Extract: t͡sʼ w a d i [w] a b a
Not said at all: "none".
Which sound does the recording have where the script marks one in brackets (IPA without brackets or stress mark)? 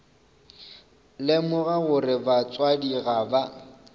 ɣ